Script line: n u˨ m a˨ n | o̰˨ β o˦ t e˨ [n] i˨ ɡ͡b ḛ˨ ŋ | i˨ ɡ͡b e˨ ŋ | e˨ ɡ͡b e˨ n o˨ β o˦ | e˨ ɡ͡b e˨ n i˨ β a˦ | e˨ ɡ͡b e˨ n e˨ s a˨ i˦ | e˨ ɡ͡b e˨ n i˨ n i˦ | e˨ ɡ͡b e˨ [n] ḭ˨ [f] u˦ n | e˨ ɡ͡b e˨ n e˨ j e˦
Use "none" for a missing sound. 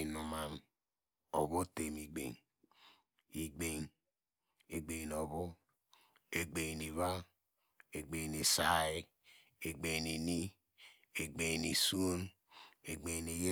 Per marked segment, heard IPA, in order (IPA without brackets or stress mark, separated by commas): m, n, s